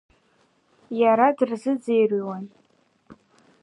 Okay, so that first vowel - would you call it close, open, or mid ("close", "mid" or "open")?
open